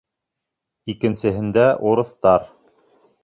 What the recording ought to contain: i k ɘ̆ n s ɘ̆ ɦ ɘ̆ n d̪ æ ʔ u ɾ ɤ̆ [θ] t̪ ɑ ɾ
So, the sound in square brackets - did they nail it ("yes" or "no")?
yes